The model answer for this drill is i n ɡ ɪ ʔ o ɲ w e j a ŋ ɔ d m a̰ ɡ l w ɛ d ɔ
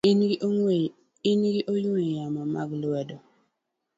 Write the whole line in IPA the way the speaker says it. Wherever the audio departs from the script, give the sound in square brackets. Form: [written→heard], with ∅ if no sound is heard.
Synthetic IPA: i n ɡ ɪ ʔ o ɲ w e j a [ŋ→m] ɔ [d→∅] m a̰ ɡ l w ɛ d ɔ